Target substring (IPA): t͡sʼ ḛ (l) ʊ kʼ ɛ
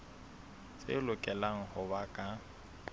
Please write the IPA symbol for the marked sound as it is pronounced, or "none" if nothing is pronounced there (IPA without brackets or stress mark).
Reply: l